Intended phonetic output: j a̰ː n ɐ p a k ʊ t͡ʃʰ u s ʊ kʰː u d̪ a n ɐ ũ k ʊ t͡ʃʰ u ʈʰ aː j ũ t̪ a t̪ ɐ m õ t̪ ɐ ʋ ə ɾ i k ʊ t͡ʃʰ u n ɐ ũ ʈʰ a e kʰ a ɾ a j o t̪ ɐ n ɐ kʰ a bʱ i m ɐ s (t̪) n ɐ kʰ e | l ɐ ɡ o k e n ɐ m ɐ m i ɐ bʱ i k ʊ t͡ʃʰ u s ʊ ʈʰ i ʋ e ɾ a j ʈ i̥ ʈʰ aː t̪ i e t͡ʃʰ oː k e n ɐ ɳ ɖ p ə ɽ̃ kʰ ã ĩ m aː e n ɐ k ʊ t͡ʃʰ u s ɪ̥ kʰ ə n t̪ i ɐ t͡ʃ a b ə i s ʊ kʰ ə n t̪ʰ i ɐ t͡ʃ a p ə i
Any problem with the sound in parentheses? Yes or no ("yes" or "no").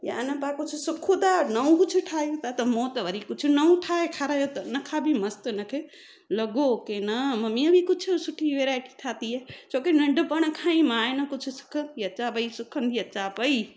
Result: no